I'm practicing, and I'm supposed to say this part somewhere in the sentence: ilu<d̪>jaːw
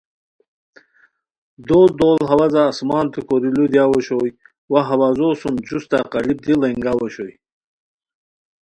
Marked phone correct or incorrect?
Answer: correct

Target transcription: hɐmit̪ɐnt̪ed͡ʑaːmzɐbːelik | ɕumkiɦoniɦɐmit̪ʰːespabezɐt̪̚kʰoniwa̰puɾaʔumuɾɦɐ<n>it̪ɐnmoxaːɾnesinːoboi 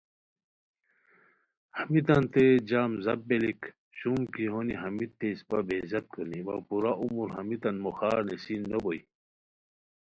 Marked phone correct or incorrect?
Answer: incorrect: m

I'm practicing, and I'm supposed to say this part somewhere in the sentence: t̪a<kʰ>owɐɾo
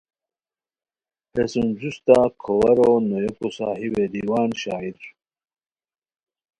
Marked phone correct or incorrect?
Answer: correct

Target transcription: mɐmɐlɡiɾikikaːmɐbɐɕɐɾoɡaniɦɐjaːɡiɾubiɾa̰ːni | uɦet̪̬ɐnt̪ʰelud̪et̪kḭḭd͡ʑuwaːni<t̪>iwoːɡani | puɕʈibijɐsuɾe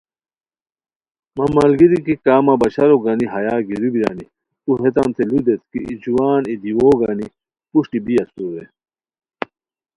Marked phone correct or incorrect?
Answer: incorrect: d̪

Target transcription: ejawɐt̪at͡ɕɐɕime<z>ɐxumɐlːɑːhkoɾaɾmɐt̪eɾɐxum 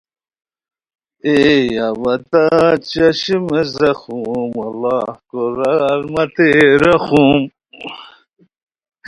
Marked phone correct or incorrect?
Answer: correct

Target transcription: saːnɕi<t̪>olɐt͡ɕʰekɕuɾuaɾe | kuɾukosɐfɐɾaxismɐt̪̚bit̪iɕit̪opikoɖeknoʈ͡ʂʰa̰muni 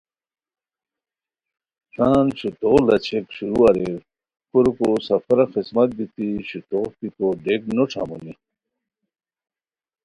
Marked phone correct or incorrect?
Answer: correct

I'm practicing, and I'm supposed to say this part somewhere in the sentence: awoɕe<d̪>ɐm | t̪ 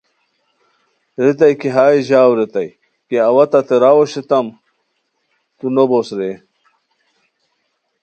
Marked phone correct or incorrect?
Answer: incorrect: t̪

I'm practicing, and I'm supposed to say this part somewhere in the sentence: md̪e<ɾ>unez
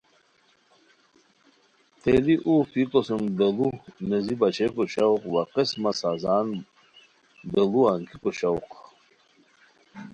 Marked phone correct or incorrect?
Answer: incorrect: l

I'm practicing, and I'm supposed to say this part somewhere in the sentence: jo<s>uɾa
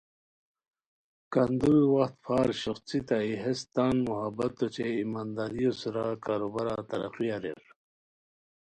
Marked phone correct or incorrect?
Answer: correct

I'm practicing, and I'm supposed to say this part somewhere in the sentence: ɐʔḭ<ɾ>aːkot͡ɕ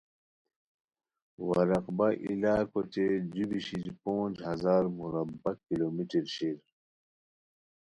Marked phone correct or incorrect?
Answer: incorrect: l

